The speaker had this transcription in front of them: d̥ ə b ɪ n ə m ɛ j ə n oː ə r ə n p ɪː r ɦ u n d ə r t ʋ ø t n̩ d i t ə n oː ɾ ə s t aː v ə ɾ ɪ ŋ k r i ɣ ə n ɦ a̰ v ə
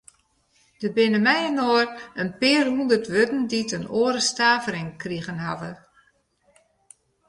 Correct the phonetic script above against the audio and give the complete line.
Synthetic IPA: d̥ ə b ɪ n ə m ɛ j ə n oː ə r ə n p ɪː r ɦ u n d ə r t ʋ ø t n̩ d i t ə n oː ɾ ə s t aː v ə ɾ ɪ ŋ k r i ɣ ə n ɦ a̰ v ə

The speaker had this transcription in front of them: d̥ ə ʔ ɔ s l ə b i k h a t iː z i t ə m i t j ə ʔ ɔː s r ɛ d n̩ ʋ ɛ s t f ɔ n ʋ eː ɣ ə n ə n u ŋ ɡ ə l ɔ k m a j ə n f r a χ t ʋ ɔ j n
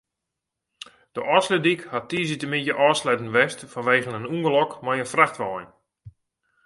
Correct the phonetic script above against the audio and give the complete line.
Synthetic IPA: d̥ ə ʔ ɔ s l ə d i k h a t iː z i t ə m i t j ə ʔ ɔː s l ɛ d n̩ ʋ ɛ s t f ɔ n ʋ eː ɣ ə n ə n u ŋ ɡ ə l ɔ k m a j ə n f r a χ t ʋ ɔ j n

